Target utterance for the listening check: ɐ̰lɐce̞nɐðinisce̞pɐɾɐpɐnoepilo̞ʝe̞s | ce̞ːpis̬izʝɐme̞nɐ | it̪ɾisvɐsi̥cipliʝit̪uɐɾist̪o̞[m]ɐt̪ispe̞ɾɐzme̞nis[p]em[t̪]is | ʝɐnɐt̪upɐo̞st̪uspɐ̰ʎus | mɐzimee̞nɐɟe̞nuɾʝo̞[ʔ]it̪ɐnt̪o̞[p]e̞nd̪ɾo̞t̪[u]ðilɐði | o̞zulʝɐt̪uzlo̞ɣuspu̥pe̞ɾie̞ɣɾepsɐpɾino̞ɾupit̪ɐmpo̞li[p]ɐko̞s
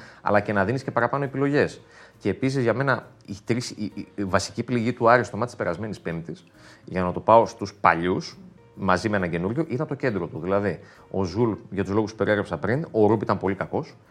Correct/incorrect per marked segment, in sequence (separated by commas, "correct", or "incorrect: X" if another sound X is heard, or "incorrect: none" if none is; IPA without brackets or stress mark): correct, correct, correct, correct, incorrect: c, correct, incorrect: k